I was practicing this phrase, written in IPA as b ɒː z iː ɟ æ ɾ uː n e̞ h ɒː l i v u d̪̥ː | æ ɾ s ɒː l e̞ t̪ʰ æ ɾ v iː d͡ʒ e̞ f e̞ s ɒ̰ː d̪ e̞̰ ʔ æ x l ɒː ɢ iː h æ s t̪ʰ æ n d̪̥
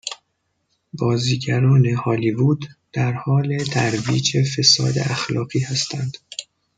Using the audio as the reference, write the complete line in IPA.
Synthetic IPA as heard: b ɒː z iː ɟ æ ɾ ɒː n e̞ h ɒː l i v u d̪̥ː | æ ɾ h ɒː l e̞ t̪ʰ æ ɾ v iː d͡ʒ e̞ f e̞ s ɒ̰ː d̪ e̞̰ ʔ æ x l ɒː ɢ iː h æ s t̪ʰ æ n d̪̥